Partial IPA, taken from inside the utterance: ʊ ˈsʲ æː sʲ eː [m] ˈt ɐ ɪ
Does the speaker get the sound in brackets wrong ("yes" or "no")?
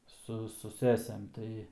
no